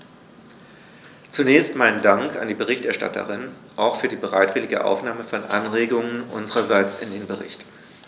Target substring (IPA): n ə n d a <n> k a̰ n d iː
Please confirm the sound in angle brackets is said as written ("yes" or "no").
no